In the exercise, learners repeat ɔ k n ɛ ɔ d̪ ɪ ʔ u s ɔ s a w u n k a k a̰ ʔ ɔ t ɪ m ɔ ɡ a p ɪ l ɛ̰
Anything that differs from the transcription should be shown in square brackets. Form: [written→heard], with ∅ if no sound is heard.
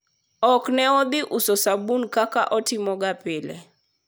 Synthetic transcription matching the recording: ɔ k n ɛ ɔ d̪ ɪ ʔ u s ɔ s a [w→b] u n k a k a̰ ʔ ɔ t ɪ m ɔ ɡ a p ɪ l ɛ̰

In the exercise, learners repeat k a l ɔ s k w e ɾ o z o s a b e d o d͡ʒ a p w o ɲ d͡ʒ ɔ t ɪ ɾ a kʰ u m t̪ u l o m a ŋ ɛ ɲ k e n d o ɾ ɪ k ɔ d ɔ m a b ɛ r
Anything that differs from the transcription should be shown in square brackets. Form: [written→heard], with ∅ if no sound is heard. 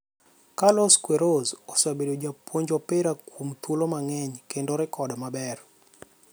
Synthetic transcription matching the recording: k a l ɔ s k w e ɾ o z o s a b e d o d͡ʒ a p w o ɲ d͡ʒ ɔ [t→p] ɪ ɾ a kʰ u m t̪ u l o m a ŋ ɛ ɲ k e n d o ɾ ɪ k ɔ d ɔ m a b ɛ r

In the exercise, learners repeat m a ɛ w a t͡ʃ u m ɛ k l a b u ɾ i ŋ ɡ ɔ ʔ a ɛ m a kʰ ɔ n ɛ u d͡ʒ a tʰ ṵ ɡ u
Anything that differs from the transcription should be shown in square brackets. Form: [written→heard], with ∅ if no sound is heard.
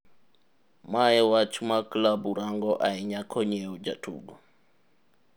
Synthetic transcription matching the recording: m a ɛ w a t͡ʃ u m [ɛ→a] k l a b u ɾ [i→a] ŋ ɡ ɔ ʔ a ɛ [m→ɲ] a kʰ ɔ [n→ɲ] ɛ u d͡ʒ a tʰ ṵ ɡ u

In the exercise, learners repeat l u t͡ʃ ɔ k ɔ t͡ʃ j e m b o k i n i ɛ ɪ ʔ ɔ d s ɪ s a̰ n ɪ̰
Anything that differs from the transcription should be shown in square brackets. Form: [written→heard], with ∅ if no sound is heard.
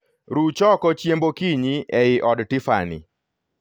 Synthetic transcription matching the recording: [l→ɾ] u t͡ʃ ɔ k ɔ t͡ʃ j e m b o k i [n→ɲ] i ɛ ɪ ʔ ɔ d [s→t] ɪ [s→f] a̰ n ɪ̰

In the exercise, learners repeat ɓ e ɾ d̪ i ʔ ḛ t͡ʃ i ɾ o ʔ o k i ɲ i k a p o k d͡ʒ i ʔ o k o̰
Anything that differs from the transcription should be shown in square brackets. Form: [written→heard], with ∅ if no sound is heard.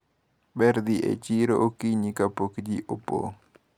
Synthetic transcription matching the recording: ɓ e ɾ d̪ i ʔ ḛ t͡ʃ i ɾ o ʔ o k i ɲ i k a p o k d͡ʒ i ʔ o [k→p] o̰

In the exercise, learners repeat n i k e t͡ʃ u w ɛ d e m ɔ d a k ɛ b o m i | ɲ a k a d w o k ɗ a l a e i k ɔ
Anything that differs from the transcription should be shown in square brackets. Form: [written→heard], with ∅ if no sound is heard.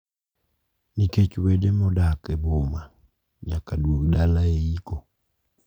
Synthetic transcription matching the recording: n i k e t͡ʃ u w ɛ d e m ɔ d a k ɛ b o m [i→a] | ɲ a k a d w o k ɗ a l a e i k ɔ

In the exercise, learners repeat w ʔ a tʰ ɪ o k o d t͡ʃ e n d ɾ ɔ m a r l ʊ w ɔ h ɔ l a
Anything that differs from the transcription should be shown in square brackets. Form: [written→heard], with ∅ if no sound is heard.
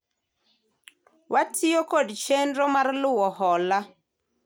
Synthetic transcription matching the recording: w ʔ a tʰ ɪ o k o d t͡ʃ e n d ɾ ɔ m a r l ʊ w ɔ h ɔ l a

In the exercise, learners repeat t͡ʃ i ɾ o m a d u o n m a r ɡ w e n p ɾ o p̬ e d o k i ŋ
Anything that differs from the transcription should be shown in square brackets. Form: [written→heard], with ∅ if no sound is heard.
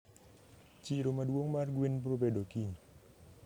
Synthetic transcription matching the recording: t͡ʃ i ɾ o m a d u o [n→ŋ] m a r ɡ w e n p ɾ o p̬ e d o k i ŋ

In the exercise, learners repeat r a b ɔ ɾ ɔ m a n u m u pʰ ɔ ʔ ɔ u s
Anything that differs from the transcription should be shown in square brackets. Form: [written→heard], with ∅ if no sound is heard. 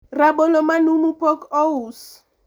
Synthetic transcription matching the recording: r a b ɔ [ɾ→l] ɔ m a n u m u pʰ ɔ [ʔ→k] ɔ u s

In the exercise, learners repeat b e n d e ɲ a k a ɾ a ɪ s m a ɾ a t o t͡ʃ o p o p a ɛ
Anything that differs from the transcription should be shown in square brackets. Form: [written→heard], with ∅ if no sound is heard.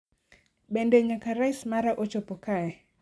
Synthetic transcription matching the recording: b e n d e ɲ a k a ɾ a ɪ s m a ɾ a [t→ʔ] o t͡ʃ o p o [p→k] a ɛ

